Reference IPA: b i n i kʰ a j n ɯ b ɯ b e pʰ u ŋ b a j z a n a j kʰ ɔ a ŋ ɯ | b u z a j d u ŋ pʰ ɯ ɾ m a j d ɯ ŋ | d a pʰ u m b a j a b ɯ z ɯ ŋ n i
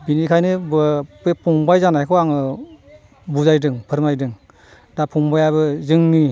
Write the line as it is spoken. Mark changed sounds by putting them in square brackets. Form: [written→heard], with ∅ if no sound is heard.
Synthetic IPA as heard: b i n i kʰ a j n ɯ b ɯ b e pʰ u ŋ b a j z a n a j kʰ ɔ a ŋ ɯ | b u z a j d [u→ɯ] ŋ pʰ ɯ ɾ m a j d ɯ ŋ | d a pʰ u [m→ŋ] b a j a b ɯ z ɯ ŋ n i